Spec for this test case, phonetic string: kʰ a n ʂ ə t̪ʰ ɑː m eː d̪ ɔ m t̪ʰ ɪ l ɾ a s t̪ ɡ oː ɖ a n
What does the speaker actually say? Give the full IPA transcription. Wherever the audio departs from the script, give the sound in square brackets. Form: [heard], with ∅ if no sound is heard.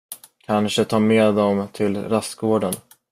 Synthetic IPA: kʰ a n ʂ ə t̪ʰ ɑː m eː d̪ ɔ m t̪ʰ ɪ l ɾ a s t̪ ɡ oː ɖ [ə] n